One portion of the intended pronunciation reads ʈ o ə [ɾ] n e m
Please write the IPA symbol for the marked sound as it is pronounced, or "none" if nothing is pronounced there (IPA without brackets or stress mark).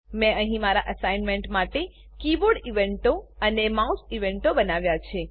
none